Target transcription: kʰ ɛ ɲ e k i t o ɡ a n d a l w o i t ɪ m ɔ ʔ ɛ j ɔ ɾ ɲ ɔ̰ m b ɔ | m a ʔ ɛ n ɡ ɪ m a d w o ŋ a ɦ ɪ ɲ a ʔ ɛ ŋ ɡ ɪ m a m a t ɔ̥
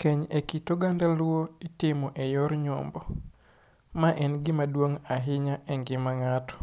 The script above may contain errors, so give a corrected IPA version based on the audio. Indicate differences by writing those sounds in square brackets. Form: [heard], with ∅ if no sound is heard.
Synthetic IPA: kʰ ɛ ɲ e k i t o ɡ a n d a l w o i t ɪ m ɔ ʔ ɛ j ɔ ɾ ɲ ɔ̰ m b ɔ | m a ʔ ɛ n ɡ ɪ m a d w o ŋ a ɦ ɪ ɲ a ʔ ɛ ŋ ɡ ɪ m a [ŋ] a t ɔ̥